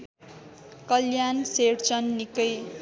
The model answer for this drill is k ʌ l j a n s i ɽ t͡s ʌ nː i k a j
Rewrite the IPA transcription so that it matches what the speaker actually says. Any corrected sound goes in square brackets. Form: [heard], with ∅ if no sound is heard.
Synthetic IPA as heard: k ʌ l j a n s [e] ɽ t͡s ʌ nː i k [ʌ] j